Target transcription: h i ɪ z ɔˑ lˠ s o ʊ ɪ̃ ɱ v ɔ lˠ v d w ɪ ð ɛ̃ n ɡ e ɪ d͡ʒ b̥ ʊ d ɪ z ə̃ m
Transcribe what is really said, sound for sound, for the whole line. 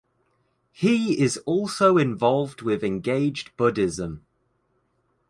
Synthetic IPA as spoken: h i ɪ z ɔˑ lˠ s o ʊ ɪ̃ ɱ v ɒ lˠ v d w ɪ ð ɛ̃ n ɡ e ɪ d͡ʒ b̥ ʊ d ɪ z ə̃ m

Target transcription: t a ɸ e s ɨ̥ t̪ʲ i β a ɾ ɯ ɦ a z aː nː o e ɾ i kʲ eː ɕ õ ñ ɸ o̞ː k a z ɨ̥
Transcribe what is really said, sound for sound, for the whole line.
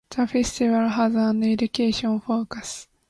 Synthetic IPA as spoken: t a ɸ e s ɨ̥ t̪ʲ i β a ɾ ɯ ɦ a z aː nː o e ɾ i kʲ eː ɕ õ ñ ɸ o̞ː k a s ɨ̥

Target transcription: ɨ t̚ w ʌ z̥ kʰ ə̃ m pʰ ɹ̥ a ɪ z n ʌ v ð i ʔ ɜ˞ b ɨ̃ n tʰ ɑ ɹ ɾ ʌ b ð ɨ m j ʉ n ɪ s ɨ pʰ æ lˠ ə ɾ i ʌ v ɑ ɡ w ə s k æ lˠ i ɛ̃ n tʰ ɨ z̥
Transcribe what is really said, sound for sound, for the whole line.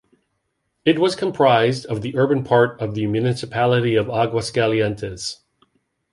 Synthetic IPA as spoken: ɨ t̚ w ʌ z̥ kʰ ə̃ m pʰ ɹ̥ a ɪ z d ʌ v ð i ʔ ɜ˞ b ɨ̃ n pʰ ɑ ɹ ɾ ʌ v ð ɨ m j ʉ n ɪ s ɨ pʰ æ lˠ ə ɾ i ʌ v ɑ ɡ w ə s k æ lˠ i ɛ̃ n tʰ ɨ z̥

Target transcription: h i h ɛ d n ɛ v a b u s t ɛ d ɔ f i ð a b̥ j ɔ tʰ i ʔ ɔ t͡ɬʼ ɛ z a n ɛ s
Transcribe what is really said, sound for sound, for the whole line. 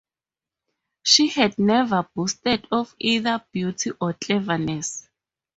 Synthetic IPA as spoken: ʃ i h ɛ d n ɛ v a b u s t ɛ d ɔ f i ð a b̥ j u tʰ i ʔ ɔ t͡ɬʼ ɛ v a n ɛ s

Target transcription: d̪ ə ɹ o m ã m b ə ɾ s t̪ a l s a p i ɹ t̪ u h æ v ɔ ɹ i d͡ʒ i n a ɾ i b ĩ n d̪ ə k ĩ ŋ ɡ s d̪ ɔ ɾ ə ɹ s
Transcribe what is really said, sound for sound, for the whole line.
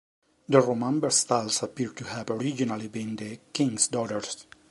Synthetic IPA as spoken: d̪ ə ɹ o m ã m b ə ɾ s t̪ a l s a p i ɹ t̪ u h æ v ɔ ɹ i d͡ʒ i n a l i b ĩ n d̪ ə k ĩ ŋ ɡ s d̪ ɔ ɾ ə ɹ s

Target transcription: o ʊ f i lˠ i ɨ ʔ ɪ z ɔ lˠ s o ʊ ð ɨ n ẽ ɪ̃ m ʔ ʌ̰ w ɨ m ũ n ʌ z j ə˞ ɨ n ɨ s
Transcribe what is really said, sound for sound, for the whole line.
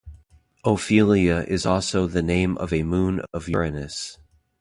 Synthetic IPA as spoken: o ʊ f i lˠ i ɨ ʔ ɪ z ɔ lˠ s o ʊ ð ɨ n ẽ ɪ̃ m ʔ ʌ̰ v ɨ m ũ n ʌ v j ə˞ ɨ n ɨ s

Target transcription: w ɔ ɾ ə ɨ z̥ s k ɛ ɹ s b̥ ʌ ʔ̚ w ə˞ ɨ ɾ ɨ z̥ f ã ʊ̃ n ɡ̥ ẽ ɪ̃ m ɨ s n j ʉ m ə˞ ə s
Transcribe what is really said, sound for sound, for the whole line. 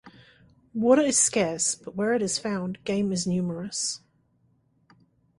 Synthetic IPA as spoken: w ɔ ɾ ə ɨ z̥ s k ɛ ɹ s b̥ ʌ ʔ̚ w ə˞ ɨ ɾ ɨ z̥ f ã ʊ̃ n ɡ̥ ẽ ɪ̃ m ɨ z n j ʉ m ə˞ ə s

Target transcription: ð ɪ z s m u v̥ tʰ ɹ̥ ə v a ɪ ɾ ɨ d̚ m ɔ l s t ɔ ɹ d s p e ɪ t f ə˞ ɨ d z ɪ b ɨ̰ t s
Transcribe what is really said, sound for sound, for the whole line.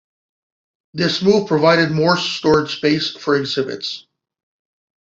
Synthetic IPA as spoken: ð ɪ s m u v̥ pʰ ɹ̥ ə v a ɪ ɾ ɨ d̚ m ɔ ɹ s t ɔ ɹ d s p e ɪ s f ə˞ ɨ ɡ z ɪ b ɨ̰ t s

